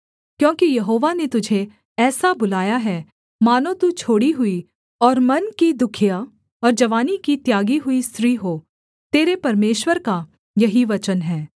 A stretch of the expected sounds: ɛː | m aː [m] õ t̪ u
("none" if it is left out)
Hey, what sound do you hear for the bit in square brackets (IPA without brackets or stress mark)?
n